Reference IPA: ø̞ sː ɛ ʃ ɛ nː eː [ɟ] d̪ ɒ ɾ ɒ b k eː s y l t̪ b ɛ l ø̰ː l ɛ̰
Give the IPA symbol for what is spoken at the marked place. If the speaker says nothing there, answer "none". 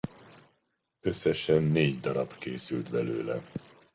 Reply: ɟ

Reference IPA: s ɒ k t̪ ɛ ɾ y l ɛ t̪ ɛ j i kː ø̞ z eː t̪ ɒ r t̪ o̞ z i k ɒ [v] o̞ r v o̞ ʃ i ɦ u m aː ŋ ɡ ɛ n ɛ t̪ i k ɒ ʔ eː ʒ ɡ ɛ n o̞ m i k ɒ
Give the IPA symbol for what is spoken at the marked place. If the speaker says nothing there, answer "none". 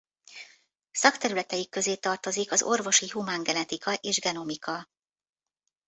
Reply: z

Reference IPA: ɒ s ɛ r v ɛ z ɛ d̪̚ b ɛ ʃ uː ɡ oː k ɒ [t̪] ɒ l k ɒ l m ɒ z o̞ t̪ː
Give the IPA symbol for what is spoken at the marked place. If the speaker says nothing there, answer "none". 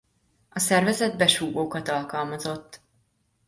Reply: t̪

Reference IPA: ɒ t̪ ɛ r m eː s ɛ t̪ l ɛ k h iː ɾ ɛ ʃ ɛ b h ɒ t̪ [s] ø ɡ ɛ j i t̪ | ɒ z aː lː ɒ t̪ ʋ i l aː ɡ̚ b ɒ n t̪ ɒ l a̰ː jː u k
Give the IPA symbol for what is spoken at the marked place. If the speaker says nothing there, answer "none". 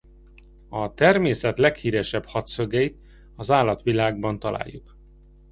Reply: s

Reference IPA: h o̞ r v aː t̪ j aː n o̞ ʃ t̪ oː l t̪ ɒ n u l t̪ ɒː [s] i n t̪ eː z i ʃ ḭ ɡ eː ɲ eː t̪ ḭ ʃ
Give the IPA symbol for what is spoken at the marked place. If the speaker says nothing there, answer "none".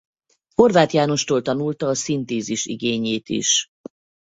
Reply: s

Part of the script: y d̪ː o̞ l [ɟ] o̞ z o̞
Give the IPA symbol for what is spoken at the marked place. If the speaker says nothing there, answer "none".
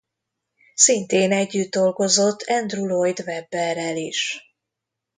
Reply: ɡ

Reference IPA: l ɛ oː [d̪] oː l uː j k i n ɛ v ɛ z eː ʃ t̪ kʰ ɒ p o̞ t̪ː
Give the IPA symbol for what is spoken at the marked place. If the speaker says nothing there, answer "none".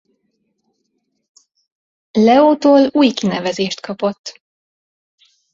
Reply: t̪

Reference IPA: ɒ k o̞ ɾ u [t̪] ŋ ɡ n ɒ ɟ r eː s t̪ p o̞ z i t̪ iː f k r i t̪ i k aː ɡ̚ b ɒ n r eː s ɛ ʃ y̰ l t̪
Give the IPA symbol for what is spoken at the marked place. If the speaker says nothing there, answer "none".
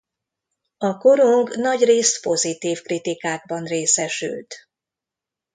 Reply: none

